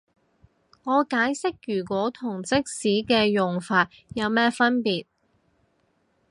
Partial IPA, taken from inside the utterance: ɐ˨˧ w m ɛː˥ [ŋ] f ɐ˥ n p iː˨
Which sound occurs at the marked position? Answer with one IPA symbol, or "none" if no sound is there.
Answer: none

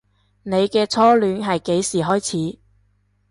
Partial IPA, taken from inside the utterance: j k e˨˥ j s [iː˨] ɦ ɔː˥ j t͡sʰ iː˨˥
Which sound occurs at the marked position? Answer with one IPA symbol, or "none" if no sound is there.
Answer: iː˨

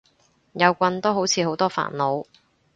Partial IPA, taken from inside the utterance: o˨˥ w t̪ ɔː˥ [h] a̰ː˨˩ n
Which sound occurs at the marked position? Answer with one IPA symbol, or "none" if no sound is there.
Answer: f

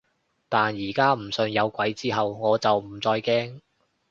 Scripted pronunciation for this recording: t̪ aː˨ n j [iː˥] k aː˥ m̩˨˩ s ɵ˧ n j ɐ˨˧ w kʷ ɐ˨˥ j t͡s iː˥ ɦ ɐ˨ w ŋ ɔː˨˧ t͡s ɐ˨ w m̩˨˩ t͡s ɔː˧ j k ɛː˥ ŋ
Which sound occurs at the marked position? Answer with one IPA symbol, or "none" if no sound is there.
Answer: iː˨˩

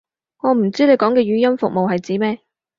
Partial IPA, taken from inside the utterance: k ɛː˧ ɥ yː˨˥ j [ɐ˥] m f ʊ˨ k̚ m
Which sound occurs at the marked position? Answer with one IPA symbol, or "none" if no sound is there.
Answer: ɐ˥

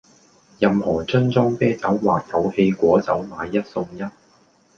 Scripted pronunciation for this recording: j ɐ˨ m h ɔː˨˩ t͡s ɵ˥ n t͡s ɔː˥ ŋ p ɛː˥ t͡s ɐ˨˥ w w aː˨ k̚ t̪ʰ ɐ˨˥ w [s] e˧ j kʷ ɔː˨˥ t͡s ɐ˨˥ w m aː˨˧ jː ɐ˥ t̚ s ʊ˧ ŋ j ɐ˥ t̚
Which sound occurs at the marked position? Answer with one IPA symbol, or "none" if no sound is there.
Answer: h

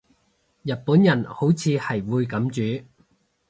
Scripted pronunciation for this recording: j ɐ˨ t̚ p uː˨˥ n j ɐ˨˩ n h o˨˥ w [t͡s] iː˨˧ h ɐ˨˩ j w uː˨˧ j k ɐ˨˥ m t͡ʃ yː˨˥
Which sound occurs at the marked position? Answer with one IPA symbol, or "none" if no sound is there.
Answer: t͡sʰ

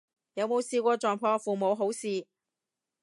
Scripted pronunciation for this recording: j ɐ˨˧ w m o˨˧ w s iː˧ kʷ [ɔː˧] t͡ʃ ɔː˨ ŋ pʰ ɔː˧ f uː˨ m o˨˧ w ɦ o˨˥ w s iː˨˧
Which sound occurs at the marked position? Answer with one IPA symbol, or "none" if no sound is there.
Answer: ɔː˧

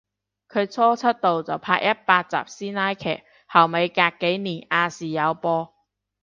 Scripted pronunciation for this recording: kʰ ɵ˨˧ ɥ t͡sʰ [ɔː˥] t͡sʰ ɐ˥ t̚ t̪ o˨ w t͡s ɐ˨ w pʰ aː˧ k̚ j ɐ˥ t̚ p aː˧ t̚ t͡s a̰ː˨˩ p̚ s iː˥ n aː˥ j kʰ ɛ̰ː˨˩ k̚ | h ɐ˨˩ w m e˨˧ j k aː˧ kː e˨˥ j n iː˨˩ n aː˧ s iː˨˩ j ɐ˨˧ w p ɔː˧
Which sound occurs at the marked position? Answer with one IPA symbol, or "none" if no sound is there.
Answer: ɔː˥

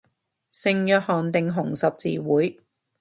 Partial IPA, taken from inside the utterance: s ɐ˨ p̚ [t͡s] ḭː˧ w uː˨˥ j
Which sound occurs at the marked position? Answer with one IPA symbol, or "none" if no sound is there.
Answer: t͡s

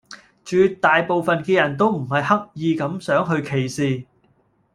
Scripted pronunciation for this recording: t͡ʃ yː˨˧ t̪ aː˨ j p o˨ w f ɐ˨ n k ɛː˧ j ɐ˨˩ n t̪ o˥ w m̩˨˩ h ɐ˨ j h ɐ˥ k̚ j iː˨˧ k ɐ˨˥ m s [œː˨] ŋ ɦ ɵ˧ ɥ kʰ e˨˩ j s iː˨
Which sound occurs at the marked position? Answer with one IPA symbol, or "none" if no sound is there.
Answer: œː˨˥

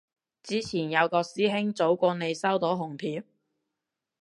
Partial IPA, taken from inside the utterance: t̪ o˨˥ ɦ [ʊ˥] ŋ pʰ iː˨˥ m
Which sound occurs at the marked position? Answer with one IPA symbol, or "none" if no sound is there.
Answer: ʊ˨˩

